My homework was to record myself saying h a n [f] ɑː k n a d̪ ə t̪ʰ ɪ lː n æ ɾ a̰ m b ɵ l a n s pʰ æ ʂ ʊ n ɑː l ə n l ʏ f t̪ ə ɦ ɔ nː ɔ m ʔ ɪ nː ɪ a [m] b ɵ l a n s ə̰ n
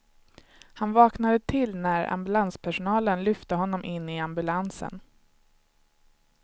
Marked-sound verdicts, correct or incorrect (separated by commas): incorrect, correct